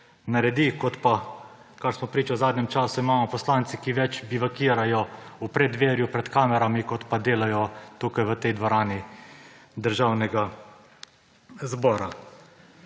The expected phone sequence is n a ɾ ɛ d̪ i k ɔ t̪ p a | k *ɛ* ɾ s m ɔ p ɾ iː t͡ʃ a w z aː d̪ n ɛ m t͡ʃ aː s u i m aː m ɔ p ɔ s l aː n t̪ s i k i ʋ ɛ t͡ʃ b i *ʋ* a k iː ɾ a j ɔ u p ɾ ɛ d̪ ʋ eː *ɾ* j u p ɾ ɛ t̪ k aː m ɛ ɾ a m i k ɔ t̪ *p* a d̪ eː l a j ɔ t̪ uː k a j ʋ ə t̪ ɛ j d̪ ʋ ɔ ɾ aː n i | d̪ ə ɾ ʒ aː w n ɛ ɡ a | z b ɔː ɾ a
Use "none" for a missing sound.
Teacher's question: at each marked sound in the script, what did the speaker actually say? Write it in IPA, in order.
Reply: a, ʋ, ɾ, p

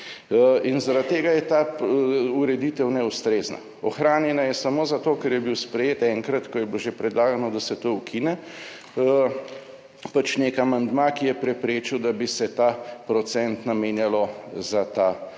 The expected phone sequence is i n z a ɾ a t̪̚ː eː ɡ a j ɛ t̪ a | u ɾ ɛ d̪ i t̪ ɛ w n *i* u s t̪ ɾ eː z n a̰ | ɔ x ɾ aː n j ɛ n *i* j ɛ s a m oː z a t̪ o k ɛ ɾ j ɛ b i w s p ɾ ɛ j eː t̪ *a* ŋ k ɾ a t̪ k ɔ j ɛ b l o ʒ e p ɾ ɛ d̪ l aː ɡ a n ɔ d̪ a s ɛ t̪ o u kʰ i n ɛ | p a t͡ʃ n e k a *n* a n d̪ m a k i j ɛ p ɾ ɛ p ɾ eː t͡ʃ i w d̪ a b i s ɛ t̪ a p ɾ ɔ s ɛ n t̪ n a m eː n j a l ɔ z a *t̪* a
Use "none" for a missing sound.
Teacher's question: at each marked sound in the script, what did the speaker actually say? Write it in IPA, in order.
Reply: ɛ, a, ɛ, m, t̪

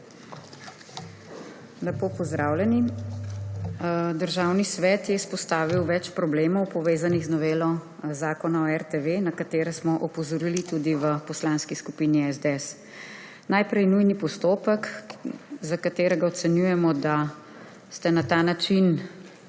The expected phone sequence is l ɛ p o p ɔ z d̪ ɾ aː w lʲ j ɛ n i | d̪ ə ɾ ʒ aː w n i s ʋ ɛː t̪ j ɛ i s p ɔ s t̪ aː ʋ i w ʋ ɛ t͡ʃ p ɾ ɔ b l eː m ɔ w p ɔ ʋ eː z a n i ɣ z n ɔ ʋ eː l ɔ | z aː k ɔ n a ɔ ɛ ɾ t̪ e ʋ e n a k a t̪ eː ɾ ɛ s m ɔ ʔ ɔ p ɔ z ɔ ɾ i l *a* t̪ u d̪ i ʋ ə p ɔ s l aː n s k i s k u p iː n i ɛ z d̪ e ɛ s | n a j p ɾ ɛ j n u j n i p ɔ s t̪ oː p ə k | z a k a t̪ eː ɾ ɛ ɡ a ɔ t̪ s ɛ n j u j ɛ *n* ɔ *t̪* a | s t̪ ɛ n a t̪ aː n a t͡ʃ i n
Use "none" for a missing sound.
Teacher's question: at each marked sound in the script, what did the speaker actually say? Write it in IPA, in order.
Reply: i, m, d̪

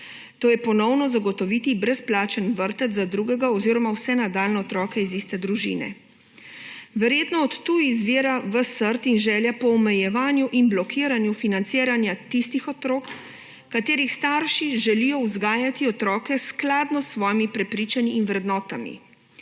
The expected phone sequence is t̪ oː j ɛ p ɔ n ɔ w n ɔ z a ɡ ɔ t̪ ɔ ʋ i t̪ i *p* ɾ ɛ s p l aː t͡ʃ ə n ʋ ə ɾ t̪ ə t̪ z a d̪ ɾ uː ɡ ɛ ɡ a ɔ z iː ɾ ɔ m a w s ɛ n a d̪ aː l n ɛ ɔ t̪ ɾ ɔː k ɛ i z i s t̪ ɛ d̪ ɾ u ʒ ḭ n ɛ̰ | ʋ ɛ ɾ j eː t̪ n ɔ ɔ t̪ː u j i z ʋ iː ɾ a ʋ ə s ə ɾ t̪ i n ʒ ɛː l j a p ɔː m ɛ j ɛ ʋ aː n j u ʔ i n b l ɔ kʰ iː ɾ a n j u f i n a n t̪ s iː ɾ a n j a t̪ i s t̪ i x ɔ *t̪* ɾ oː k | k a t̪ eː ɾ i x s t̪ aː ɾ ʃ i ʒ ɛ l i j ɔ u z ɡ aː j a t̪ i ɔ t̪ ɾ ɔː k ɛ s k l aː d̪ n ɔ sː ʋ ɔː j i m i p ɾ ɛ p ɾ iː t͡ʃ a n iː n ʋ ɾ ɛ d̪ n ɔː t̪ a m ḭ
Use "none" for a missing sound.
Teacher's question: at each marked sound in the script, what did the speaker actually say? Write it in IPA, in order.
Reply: b, t̪

